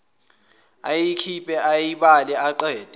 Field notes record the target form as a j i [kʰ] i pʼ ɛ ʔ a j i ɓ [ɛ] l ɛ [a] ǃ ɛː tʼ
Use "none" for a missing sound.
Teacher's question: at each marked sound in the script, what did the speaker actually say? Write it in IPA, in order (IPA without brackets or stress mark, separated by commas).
kʰ, a, a